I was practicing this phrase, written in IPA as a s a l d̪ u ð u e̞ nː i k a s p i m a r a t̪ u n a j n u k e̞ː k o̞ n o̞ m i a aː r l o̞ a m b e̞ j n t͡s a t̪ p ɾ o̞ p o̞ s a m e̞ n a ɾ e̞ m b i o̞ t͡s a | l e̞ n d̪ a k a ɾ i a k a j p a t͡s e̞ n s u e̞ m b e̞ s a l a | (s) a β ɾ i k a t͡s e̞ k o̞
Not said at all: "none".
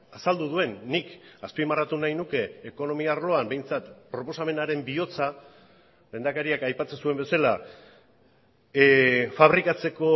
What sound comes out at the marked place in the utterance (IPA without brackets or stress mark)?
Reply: f